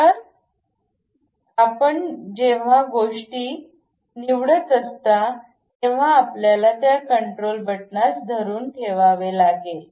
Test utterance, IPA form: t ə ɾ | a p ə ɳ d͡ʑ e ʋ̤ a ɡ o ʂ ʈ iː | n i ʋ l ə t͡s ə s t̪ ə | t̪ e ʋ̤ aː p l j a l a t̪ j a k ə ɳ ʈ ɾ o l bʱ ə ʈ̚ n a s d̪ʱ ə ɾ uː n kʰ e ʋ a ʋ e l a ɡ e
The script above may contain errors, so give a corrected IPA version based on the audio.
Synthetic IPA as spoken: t ə ɾ | a p ə ɳ d͡ʑ e ʋ̤ a ɡ o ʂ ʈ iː | n i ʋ ɽ ə t͡s ə s t̪ a | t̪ e ʋ̤ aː p l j a l a t̪ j a k ə ɳ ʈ ɾ o l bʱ ə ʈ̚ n a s d̪ʱ ə ɾ uː n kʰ e ʋ a ʋ e l a ɡ e